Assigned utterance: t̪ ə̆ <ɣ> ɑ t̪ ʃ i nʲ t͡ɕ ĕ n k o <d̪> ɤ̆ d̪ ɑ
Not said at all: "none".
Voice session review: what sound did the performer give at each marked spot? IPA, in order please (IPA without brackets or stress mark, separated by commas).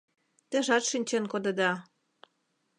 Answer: ʒ, d̪